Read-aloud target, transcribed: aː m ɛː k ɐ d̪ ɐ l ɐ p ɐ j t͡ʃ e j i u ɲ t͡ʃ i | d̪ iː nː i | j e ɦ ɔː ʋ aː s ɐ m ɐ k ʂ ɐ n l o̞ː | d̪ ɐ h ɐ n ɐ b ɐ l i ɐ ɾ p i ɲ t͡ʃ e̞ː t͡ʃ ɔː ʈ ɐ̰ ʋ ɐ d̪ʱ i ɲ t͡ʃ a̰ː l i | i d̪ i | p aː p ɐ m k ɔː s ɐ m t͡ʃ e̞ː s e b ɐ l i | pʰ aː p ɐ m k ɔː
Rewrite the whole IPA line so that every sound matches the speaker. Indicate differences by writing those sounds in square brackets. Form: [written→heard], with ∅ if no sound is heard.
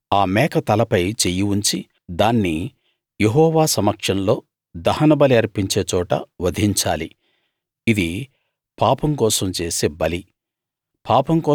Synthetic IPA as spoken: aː m ɛː k ɐ [d̪→t̪] ɐ l ɐ p ɐ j t͡ʃ e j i u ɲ t͡ʃ i | d̪ [iː→aː] nː i | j e ɦ ɔː ʋ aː s ɐ m ɐ k ʂ ɐ n l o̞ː | d̪ ɐ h ɐ n ɐ b ɐ l i ɐ ɾ p i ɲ t͡ʃ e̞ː t͡ʃ ɔː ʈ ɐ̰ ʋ ɐ d̪ʱ i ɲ t͡ʃ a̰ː l i | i d̪ i | p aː p ɐ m k ɔː s ɐ m t͡ʃ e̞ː s e b ɐ l i | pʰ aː p ɐ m k ɔː